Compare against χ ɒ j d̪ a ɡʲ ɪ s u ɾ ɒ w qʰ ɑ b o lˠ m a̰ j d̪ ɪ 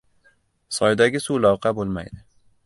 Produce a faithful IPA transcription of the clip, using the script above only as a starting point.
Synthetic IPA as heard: s ɒ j d̪ a ɡʲ ɪ s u l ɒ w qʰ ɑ b o lˠ m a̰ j d̪ ɪ